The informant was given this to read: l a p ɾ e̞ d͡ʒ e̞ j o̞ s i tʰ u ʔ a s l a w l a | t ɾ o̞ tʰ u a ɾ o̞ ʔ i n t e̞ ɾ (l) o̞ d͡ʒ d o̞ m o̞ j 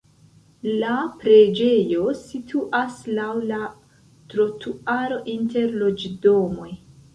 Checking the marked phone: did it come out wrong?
no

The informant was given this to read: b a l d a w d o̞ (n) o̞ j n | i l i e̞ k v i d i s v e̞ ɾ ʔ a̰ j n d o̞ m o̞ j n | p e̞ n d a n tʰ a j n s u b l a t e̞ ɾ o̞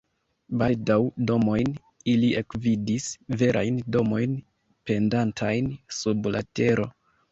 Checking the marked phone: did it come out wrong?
yes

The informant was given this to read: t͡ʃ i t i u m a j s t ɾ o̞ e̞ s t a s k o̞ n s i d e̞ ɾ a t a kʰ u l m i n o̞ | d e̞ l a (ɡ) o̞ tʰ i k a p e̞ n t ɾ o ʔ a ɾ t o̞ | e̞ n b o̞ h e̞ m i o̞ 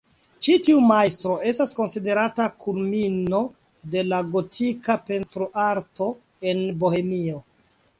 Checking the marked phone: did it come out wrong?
no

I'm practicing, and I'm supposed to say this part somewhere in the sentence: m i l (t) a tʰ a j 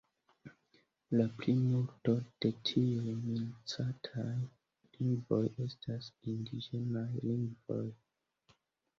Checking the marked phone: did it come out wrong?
yes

